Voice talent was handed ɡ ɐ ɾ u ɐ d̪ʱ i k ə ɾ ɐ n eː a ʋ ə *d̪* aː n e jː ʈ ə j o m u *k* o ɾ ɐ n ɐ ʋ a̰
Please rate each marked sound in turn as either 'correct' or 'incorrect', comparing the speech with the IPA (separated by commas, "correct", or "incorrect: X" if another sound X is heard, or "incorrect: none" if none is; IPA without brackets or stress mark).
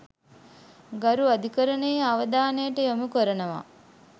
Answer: correct, correct